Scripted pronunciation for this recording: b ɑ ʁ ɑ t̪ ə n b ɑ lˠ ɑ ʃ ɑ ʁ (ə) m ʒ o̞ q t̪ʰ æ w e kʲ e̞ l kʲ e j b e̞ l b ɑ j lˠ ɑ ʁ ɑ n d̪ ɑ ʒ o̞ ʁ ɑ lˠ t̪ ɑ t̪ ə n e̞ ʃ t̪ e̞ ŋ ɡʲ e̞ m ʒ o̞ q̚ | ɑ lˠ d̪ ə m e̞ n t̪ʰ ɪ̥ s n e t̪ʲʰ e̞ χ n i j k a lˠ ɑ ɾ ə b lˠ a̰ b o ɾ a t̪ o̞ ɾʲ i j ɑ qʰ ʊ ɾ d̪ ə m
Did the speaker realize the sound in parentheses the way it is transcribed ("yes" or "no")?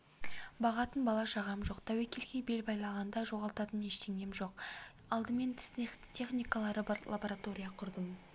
no